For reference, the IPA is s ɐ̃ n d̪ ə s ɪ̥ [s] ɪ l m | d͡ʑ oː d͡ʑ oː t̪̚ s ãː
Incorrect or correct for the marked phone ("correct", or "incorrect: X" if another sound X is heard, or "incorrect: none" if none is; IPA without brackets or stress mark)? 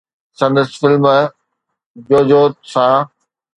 incorrect: f